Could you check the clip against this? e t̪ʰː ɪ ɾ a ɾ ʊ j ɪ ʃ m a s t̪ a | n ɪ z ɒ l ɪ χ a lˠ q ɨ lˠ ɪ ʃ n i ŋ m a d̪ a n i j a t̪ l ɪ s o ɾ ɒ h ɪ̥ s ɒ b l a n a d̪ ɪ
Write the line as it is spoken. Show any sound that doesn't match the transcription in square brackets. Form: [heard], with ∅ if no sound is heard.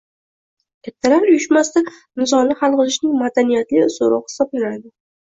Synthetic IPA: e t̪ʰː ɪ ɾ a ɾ ʊ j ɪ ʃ m a s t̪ a | n ɪ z ɒ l ɪ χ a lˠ q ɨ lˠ ɪ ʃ n [ɪ] ŋ m a d̪ a n i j a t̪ l ɪ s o ɾ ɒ h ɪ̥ s ɒ b l a n a d̪ ɪ